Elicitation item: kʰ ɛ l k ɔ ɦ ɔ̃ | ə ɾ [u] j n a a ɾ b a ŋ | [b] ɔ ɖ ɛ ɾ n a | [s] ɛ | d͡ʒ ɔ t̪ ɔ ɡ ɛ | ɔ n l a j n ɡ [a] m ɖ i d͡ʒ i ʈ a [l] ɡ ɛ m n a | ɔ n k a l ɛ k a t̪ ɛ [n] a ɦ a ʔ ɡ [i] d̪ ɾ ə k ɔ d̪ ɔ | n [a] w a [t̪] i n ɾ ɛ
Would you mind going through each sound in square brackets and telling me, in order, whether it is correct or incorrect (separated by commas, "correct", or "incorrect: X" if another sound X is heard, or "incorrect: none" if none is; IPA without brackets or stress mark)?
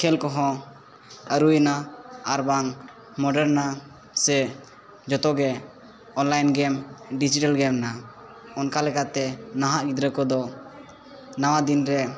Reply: correct, incorrect: m, correct, incorrect: ɛ, correct, correct, correct, correct, incorrect: d̪